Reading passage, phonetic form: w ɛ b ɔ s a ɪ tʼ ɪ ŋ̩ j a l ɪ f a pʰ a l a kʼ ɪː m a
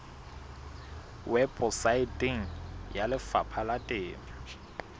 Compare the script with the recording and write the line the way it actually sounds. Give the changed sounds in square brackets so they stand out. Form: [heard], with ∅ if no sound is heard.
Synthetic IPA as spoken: w ɛ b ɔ s a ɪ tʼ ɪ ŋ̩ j a l ɪ f a pʰ a l a [tʼ] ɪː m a

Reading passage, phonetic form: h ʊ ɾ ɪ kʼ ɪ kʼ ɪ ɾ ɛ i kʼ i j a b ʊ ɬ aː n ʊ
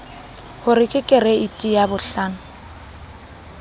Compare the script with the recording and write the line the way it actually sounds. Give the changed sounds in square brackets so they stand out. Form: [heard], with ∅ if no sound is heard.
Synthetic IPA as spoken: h ʊ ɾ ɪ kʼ ɪ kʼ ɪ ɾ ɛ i [tʼ] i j a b ʊ ɬ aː n ʊ

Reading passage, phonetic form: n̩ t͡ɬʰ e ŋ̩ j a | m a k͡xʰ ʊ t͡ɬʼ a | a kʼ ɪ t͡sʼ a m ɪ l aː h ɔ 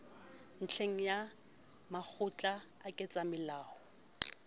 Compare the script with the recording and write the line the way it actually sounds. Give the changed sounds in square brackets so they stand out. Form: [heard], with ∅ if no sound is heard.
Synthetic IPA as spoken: n̩ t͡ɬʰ e ŋ̩ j a | m a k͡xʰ ʊ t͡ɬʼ a | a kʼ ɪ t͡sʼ a m ɪ l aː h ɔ

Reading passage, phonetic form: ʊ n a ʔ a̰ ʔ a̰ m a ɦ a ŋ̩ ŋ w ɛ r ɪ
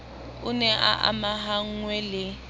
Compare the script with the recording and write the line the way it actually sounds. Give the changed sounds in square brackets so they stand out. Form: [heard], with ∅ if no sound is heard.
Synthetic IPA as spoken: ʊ n [ɛ] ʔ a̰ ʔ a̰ m a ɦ a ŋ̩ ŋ w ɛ [l] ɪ

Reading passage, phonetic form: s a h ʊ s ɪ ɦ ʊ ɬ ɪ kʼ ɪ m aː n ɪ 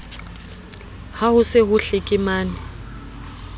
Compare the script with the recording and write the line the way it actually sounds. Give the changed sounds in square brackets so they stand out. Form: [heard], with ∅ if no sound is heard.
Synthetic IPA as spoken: [h] a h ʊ s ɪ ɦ ʊ ɬ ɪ kʼ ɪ m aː n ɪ

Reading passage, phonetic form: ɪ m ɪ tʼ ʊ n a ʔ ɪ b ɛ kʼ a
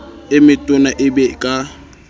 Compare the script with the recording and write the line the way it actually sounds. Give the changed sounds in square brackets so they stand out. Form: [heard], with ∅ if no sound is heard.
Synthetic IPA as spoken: ɪ m ɪ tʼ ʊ n a ʔ ɪ b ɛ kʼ a

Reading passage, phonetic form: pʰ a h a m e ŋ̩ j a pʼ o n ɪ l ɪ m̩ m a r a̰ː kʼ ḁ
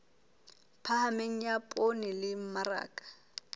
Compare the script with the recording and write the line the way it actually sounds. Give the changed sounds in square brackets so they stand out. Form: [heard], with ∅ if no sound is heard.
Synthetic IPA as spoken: pʰ a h a m e ŋ̩ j a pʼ o n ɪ l ɪ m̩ m a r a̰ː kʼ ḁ

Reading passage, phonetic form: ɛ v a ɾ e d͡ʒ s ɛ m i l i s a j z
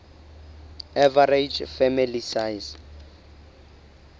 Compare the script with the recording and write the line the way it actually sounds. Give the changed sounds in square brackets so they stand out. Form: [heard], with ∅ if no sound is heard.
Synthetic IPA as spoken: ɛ v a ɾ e d͡ʒ [f] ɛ m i l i s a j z

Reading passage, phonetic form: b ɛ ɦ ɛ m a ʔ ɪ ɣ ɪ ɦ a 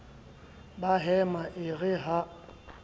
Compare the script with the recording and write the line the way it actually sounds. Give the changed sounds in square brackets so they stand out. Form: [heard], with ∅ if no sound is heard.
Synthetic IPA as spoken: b [a] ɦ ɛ m a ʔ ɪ ɣ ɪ ɦ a

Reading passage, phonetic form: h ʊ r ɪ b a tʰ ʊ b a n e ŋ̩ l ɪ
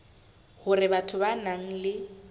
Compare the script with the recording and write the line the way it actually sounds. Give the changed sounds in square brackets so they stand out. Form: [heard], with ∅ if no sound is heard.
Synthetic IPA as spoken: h ʊ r ɪ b a tʰ ʊ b a n [a] ŋ̩ l ɪ

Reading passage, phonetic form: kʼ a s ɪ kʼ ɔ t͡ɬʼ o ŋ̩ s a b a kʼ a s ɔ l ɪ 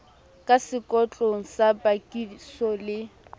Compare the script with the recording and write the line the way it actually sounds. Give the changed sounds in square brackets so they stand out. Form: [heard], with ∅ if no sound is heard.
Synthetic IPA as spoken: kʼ a s ɪ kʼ ɔ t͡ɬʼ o ŋ̩ s a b a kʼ [i] s ɔ l ɪ

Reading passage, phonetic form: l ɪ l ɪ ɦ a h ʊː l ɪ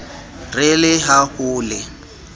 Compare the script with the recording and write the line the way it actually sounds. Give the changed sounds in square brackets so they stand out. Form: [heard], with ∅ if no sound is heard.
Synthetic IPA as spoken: [r] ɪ l ɪ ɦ a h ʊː l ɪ

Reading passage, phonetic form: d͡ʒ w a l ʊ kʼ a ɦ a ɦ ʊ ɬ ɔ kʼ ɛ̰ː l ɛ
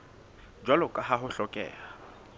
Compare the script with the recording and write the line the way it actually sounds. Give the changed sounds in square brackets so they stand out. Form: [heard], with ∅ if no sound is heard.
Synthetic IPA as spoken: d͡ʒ w a l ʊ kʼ a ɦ a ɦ ʊ ɬ ɔ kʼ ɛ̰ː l [a]

